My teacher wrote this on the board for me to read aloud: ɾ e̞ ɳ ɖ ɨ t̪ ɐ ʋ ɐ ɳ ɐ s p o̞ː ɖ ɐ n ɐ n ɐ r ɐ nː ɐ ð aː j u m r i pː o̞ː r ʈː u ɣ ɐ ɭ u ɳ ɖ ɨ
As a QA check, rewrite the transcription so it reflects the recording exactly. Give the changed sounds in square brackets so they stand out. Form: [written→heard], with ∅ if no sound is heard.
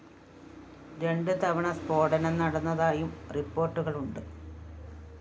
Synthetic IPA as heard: ɾ e̞ ɳ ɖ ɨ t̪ ɐ ʋ ɐ ɳ ɐ s p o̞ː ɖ ɐ n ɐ n ɐ [r→ɽ] ɐ nː ɐ ð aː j u m r i pː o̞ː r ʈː u ɣ ɐ ɭ u ɳ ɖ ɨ